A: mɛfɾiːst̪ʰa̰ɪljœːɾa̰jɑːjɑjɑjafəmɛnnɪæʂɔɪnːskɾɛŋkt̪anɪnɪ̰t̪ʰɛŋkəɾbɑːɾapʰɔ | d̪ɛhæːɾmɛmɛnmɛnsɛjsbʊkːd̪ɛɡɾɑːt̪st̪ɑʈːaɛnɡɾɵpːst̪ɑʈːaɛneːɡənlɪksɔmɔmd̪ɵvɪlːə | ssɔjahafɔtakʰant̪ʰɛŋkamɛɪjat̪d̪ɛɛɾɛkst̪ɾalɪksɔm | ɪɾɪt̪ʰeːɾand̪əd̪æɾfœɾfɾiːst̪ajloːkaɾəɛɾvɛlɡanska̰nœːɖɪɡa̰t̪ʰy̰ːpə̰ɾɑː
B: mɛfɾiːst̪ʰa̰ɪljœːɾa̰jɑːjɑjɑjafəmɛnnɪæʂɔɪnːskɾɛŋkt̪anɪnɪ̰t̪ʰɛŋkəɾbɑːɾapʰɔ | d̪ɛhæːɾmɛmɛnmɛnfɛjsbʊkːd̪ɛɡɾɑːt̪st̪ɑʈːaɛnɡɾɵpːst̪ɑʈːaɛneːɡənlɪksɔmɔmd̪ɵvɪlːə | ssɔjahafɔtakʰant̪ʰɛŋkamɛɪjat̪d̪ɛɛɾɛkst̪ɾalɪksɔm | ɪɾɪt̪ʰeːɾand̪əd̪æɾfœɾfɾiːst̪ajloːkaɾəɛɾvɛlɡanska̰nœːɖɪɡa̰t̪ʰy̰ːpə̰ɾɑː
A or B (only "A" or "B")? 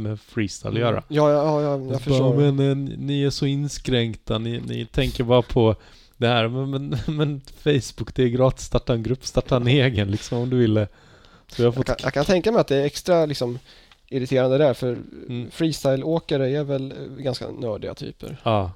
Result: B